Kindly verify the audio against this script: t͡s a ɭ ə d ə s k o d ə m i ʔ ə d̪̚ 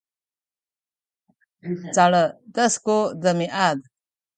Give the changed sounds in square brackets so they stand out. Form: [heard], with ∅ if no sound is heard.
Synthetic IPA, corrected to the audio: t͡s a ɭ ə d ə s k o d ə m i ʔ [a] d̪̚